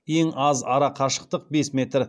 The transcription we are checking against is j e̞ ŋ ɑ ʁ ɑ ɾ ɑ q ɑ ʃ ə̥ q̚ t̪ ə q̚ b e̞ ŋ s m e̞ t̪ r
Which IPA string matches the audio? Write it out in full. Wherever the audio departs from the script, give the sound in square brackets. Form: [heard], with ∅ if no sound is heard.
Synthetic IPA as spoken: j e̞ ŋ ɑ [z] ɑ ɾ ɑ [qʰ] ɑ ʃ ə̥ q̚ t̪ ə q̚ b e̞ [∅] s m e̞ t̪ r